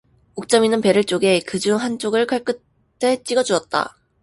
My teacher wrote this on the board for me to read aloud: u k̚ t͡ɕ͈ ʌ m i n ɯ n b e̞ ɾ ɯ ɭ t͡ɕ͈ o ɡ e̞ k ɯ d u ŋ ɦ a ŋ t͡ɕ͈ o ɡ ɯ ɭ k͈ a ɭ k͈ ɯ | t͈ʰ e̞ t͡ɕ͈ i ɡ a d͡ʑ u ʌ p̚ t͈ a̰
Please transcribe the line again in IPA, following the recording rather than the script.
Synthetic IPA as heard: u k̚ t͡ɕ͈ ʌ m i n ɯ n p e̞ ɾ ɯ ɭ t͡ɕ͈ o ɡ e̞ k ɯ d͡ʑ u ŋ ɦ a n t͡ɕ͈ o ɡ ɯ ɭ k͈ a ɭ k͈ ɯ | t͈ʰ e̞ t͡ɕ͈ i ɡ ʌ d͡ʑ u ʌ t̚ t͈ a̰